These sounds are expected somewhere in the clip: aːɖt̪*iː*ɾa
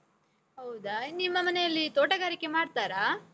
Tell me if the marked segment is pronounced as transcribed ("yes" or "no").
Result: no